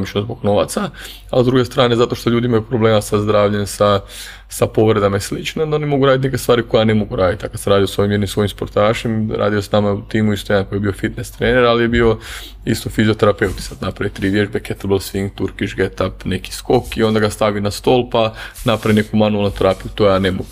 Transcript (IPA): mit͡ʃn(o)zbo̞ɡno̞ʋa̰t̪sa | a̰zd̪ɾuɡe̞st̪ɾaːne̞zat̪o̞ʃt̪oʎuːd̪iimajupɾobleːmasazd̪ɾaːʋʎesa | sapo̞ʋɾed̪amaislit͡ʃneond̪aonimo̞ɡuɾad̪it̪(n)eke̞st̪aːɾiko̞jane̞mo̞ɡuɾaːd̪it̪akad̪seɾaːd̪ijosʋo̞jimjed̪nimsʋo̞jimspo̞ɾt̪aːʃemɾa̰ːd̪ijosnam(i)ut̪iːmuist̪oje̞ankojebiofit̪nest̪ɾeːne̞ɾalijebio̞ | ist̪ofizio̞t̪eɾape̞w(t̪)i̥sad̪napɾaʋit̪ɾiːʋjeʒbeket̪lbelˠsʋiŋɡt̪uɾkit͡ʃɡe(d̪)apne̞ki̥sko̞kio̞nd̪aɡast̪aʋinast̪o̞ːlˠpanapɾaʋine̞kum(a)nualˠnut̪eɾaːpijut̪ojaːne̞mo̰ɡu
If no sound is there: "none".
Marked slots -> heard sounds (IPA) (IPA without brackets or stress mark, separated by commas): o, n, a, t̪, t̪, a